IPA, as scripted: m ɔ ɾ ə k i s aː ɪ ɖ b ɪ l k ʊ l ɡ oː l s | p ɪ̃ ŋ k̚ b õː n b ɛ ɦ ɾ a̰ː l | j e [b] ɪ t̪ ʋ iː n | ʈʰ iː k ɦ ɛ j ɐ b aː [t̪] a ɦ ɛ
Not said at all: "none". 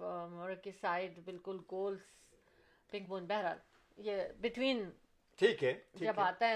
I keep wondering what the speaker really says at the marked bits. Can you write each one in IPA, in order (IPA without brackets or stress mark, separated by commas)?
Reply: b, t̪